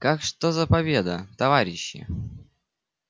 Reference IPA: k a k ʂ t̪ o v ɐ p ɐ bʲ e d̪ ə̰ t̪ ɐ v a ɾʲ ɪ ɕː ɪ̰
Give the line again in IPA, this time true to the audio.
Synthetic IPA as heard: k a k ʂ t̪ o z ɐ p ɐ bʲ e d̪ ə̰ t̪ ɐ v a ɾʲ ɪ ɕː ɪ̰